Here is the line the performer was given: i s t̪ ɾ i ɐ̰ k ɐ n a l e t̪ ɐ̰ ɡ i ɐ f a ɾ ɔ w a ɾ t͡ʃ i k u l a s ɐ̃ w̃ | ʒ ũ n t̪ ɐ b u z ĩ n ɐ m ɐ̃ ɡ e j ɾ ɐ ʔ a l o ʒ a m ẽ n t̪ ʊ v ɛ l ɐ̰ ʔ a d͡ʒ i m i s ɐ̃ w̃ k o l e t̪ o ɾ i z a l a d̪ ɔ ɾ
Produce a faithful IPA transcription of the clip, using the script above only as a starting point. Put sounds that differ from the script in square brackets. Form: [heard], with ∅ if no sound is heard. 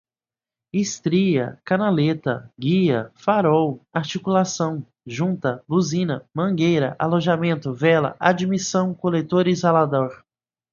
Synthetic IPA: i s t̪ ɾ i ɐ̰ k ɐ n a l e t̪ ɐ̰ ɡ i ɐ f a ɾ ɔ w a ɾ t͡ʃ i k u l a s ɐ̃ w̃ | ʒ ũ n t̪ ɐ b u z ĩ n ɐ m ɐ̃ ɡ e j ɾ ɐ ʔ a l o ʒ a m ẽ n t̪ ʊ v ɛ l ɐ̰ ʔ a d͡ʒ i m i s ɐ̃ w̃ k o l e t̪ o ɾ i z a l a d̪ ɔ ɾ